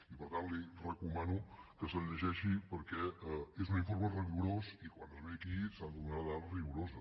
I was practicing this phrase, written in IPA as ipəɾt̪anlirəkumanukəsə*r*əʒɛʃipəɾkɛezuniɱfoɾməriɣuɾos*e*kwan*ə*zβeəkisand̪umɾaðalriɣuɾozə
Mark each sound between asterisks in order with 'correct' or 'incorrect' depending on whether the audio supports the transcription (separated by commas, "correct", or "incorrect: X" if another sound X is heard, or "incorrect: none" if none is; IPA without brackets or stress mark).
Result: incorrect: ʎ, incorrect: i, correct